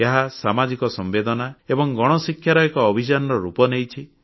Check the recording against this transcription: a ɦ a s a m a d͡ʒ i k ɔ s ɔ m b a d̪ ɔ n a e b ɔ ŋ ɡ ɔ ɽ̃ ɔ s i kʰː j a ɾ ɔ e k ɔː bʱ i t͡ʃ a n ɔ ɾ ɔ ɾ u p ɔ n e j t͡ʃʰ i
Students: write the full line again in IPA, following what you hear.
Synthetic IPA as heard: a ɦ a s a m a d͡ʒ i k ɔ s ɔ m b e d̪ ɔ n a e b ɔ ŋ ɡ ɔ ɽ̃ ɔ s i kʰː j a ɾ ɔ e k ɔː bʱ i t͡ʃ a n ɔ ɾ ɔ ɾ u p ɔ n e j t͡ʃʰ i